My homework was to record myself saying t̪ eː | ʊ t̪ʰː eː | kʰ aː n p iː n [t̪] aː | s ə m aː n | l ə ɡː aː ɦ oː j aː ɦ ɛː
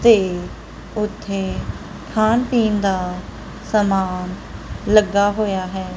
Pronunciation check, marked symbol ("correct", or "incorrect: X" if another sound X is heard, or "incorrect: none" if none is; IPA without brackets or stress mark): incorrect: d̪